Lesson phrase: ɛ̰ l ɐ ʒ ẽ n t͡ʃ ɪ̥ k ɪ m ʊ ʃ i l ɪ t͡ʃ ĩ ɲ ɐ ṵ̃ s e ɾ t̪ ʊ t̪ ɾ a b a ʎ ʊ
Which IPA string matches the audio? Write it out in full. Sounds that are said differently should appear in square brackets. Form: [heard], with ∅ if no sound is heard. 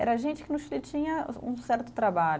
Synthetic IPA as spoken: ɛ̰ [ɾ] ɐ ʒ ẽ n t͡ʃ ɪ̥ k ɪ [n] ʊ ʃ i l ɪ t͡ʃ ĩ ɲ ɐ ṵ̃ s [ɛ] ɾ t̪ ʊ t̪ ɾ a b a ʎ ʊ